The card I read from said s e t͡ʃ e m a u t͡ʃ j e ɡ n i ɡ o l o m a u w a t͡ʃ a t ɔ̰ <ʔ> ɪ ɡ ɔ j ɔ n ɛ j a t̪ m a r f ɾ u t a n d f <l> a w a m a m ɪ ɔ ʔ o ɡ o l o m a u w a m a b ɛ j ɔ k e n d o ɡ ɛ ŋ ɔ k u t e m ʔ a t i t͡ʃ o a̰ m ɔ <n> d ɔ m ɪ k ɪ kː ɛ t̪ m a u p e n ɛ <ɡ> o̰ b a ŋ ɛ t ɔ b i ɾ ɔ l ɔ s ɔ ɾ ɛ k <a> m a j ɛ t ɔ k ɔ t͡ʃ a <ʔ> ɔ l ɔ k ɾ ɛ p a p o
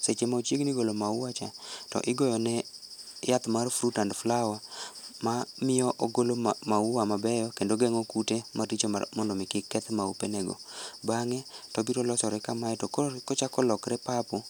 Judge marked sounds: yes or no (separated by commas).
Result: yes, yes, yes, yes, yes, no